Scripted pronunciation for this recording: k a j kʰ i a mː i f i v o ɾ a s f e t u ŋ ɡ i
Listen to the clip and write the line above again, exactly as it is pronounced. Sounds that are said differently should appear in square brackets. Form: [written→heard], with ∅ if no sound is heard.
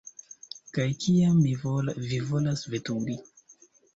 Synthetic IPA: k a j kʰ i a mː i [f→v] i v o [ɾ→l] a s [f→v] e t u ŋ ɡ i

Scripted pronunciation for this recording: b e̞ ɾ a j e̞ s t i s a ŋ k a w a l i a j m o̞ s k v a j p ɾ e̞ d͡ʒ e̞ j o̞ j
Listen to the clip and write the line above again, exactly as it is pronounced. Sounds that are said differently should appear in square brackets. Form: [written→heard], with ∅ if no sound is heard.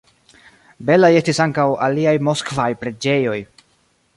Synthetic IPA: b e̞ [ɾ→l] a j e̞ s t i s a ŋ k a w a l i a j m o̞ s k v a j p ɾ e̞ d͡ʒ e̞ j o̞ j

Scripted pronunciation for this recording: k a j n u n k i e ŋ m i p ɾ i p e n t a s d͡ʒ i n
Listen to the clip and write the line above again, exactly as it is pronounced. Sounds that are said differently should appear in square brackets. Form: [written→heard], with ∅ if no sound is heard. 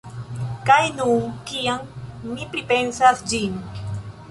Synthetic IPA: k a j n u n k i [e→a] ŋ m i p ɾ i p e n [t→s] a s d͡ʒ i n

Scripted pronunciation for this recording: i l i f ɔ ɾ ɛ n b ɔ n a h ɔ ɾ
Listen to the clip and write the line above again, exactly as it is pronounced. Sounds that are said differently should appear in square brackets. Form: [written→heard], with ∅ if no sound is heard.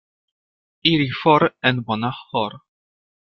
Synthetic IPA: i [l→ɾ] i f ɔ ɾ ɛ n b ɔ n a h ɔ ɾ

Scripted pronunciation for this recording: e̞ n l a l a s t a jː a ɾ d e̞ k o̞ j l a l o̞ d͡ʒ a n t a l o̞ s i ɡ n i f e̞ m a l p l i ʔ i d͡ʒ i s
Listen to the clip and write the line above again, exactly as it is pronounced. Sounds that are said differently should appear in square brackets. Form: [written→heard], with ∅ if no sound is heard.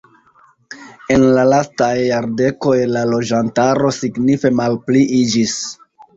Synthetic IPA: e̞ n l a l a s t a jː a ɾ d e̞ k o̞ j l a l o̞ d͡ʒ a n t a [l→ɾ] o̞ s i ɡ n i f e̞ m a l p l i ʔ i d͡ʒ i s

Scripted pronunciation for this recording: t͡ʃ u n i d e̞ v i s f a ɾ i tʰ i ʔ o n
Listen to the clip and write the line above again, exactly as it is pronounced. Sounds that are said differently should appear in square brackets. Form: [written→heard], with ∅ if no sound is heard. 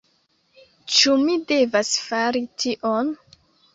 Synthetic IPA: t͡ʃ u [n→m] i d e̞ v [i→a] s f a ɾ i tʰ i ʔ o n

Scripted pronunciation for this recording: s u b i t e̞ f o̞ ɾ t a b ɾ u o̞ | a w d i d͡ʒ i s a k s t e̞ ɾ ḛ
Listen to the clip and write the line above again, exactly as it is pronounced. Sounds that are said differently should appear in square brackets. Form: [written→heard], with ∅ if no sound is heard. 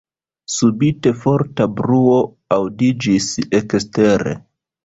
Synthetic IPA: s u b i t e̞ f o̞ ɾ t a b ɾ u o̞ | a w d i d͡ʒ i s [a→e] k s t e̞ ɾ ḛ

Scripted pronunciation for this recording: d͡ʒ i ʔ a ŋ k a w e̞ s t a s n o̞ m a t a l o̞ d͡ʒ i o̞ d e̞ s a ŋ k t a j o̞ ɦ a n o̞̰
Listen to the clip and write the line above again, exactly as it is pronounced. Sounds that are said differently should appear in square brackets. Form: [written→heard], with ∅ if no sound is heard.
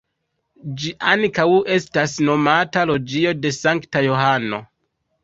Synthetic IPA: d͡ʒ i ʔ a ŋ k a w e̞ s t a s n o̞ m a t a l o̞ d͡ʒ i o̞ d e̞ s a ŋ k t a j o̞ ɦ a n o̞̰

